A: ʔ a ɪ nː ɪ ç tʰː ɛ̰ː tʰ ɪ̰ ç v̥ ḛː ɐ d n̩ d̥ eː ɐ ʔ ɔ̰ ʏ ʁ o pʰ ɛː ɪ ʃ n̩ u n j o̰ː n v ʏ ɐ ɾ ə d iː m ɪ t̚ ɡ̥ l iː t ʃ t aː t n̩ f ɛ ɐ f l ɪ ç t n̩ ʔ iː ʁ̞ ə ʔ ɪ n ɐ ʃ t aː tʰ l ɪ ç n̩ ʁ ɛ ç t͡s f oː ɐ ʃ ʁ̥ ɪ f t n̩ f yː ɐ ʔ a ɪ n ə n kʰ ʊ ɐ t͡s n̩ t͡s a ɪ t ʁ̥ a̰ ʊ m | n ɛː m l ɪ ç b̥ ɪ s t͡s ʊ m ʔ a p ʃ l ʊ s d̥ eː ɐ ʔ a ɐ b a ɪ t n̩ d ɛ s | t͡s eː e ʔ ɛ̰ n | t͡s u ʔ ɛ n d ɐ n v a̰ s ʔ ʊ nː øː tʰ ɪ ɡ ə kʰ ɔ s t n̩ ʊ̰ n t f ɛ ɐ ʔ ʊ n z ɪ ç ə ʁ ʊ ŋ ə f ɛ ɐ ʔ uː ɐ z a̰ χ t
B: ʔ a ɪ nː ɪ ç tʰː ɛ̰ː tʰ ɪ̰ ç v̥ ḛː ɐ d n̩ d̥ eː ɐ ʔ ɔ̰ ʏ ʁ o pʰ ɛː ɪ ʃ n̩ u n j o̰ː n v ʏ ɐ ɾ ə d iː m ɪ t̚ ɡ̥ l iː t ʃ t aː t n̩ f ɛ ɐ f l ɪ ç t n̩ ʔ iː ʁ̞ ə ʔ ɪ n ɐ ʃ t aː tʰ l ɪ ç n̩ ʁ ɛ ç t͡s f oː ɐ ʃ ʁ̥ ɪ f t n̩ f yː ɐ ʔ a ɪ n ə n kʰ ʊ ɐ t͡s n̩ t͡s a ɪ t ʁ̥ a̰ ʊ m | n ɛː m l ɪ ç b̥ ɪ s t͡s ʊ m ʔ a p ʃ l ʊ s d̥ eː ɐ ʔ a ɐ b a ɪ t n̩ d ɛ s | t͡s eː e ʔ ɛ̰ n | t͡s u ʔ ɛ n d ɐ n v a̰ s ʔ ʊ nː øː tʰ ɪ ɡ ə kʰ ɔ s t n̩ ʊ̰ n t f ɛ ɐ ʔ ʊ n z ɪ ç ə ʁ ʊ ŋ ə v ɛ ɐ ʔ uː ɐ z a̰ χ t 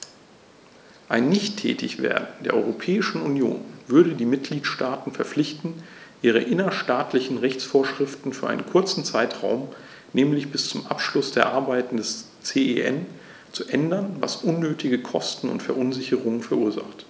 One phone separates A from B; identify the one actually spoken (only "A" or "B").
A